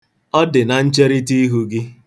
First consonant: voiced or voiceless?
voiced